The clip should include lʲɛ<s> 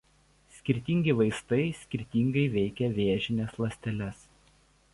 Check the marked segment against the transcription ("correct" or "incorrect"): correct